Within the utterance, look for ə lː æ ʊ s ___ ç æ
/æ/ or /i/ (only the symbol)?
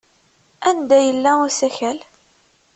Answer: æ